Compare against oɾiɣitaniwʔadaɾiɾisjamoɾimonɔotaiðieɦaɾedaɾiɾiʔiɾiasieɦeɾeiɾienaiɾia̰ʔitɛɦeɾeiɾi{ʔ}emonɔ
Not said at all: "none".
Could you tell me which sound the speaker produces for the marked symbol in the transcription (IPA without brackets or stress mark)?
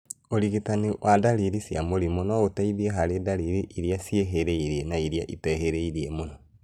none